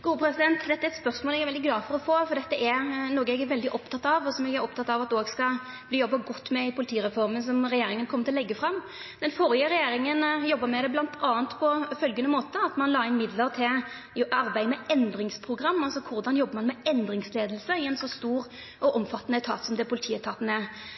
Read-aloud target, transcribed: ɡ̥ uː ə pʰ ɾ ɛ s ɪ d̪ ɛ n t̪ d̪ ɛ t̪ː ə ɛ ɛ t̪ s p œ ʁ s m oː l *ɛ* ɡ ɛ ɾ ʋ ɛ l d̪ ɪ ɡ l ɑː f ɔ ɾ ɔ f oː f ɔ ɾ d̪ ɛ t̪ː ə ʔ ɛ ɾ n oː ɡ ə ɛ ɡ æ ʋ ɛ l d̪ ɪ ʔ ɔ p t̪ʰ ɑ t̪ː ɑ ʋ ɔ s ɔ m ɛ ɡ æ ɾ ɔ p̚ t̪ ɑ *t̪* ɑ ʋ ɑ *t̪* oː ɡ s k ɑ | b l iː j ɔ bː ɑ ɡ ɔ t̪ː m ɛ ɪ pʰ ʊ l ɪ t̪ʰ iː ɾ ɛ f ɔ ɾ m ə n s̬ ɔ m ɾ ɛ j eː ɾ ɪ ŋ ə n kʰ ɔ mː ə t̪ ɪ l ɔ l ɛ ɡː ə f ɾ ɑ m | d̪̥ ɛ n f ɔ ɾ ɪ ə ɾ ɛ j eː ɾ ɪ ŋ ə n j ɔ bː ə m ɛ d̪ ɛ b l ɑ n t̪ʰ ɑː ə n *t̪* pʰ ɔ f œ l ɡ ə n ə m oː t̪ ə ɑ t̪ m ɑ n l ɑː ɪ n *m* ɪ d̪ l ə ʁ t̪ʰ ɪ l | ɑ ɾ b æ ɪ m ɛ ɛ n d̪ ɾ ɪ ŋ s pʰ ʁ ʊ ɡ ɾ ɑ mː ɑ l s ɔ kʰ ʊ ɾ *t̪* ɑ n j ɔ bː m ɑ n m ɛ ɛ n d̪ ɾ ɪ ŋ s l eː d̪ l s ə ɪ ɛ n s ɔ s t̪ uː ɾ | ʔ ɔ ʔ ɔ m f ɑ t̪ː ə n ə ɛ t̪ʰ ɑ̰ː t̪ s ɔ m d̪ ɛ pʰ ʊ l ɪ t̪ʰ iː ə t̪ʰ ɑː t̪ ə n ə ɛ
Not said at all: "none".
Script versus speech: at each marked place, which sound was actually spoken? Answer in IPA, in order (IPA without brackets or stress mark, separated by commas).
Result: ɛ, t̪, t̪, t̪, m, d̪